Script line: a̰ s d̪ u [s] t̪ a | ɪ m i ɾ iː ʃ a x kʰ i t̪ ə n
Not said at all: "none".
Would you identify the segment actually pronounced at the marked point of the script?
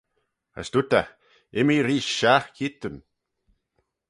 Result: none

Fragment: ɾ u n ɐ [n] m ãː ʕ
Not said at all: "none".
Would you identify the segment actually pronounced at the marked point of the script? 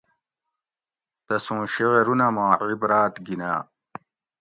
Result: none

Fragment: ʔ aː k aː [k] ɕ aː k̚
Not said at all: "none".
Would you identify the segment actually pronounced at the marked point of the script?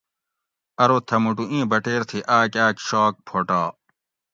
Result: k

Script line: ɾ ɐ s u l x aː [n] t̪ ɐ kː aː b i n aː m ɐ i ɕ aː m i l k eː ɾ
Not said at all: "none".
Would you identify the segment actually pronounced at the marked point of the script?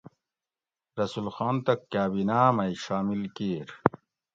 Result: n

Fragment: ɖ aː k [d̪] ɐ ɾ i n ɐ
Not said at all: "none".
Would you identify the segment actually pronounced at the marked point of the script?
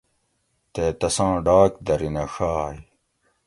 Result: d̪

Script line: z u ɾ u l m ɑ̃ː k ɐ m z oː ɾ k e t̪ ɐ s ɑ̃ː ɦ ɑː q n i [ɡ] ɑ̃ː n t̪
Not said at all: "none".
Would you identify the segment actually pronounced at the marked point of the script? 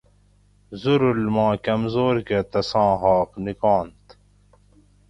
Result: k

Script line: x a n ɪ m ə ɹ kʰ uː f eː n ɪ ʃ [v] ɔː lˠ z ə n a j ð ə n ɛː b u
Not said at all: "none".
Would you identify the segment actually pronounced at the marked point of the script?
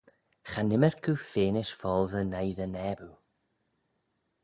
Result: f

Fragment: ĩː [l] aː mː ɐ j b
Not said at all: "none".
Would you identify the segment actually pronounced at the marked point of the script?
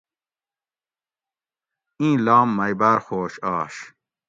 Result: l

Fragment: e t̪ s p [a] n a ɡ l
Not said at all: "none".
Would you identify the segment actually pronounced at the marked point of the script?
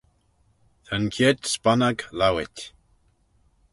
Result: a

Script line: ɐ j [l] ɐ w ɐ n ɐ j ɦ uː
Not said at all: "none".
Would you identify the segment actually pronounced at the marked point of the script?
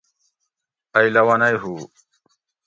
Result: l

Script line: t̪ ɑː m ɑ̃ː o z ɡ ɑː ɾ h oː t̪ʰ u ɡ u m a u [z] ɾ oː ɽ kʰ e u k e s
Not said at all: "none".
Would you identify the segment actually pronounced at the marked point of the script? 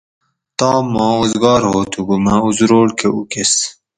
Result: z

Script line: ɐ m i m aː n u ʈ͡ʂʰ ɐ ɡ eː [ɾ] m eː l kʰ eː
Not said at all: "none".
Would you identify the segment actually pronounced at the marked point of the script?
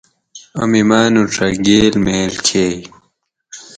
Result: l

